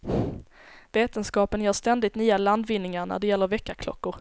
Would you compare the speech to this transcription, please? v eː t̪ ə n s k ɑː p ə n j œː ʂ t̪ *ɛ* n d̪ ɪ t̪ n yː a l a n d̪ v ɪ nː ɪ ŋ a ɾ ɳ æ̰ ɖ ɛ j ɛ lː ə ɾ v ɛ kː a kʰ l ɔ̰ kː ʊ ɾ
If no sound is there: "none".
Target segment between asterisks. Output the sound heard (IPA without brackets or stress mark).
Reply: ɛ